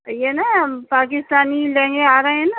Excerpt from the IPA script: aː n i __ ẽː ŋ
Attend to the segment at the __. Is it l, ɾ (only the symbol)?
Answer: l